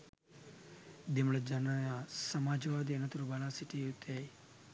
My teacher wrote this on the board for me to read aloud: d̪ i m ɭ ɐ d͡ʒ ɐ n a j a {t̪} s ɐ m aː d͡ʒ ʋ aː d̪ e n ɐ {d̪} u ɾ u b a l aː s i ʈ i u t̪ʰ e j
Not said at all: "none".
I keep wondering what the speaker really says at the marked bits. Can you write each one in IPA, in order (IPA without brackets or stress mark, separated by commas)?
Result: none, t̪